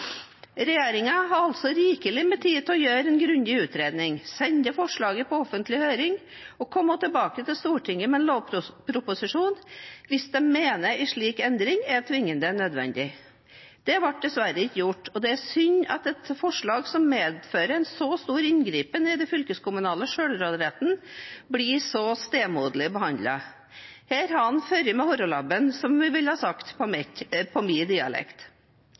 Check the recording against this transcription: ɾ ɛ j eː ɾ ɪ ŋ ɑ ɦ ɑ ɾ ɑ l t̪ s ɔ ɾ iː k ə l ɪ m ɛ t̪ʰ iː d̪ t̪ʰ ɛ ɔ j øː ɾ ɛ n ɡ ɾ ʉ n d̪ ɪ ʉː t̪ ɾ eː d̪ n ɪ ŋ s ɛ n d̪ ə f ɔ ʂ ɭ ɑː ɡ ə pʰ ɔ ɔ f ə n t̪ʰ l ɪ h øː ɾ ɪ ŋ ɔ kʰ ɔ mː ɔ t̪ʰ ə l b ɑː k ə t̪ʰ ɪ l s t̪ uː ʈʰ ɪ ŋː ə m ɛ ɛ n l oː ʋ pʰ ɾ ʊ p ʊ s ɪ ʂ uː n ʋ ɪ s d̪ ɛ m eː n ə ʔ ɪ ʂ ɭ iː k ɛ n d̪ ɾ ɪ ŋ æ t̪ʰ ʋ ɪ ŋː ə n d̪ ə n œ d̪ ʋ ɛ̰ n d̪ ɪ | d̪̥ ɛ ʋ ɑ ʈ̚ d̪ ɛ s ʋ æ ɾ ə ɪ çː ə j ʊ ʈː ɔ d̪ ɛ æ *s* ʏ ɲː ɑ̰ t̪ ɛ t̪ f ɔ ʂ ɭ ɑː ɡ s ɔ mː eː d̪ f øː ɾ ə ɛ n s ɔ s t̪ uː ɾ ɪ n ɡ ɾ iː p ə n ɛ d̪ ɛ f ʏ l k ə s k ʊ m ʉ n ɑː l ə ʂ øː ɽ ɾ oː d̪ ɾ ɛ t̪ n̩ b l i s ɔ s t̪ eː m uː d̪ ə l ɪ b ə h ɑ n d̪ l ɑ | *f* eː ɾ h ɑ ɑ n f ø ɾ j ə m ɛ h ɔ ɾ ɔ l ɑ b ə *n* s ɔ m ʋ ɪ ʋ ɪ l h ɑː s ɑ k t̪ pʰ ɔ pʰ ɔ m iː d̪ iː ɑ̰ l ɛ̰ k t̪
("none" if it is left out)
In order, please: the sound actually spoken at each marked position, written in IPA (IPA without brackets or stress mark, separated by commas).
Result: s, h, n